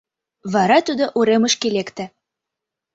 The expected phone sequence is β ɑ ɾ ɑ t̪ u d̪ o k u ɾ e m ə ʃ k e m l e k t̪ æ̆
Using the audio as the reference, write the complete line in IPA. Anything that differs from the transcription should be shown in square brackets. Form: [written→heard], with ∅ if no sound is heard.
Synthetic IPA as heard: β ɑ ɾ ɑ t̪ u d̪ o [k→ʔ] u ɾ e m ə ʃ k e [m→∅] l e k t̪ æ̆